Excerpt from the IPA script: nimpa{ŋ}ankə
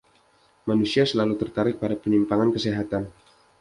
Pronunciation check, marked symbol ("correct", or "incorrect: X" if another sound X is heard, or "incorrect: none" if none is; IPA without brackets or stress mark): correct